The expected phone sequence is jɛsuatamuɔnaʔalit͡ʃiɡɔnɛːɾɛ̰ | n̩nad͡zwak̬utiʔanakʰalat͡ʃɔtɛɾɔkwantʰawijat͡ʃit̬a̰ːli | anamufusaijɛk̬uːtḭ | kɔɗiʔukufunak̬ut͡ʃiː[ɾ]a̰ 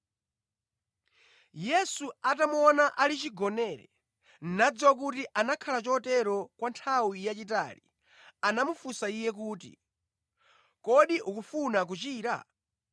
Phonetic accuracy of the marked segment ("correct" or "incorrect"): correct